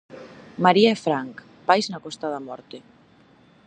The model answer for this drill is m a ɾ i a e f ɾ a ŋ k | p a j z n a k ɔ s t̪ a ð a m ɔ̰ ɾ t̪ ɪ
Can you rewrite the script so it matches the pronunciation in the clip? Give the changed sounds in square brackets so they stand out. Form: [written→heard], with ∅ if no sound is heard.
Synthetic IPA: m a ɾ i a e f ɾ a ŋ k | p a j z n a k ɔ s t̪ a ð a m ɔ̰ ɾ t̪ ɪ